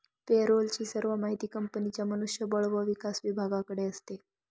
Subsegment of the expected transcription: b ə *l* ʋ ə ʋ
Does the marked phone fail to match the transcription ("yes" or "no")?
yes